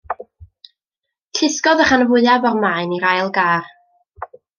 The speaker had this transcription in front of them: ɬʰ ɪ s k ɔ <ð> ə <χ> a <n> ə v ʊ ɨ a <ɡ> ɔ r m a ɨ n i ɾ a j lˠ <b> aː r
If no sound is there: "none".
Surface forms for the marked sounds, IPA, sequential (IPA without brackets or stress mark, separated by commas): ð, χ, n, b, ɡ